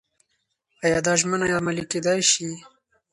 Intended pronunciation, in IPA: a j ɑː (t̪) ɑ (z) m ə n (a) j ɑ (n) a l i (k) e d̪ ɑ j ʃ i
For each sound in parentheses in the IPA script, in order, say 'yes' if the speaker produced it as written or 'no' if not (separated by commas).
no, no, yes, no, yes